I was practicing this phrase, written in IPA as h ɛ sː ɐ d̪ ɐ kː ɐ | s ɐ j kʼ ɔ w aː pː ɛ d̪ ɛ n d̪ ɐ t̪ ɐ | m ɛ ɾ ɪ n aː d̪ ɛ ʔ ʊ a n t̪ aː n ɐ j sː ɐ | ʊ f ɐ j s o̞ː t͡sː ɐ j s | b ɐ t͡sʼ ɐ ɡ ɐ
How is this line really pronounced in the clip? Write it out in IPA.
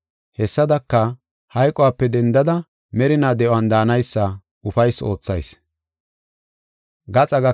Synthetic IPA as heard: h ɛ sː ɐ d̪ ɐ kː ɐ | h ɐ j kʼ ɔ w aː pː ɛ d̪ ɛ n d̪ ɐ d̪ ɐ | m ɛ ɾ ɪ n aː d̪ ɛ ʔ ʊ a n d̪ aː n ɐ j sː ɐ | ʊ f ɐ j s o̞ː t͡sː ɐ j s | ɡ ɐ t͡sʼ ɐ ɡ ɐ

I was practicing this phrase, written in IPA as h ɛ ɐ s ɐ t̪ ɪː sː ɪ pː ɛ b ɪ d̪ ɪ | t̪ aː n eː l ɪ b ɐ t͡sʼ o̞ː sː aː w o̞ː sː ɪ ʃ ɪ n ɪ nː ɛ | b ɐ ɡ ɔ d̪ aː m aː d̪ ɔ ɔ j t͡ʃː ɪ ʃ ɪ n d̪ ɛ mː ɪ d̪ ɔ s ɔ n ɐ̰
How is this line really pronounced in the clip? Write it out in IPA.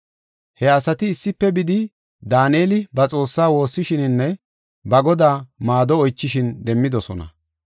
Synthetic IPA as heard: h ɛ ɐ s ɐ t̪ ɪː sː ɪ pː ɛ b ɪ d̪ ɪ | d̪ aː n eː l ɪ b ɐ t͡sʼ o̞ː sː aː w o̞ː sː ɪ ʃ ɪ n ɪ nː ɛ | b ɐ ɡ ɔ d̪ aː m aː d̪ ɔ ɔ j t͡ʃː ɪ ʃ ɪ n d̪ ɛ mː ɪ d̪ ɔ s ɔ n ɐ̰

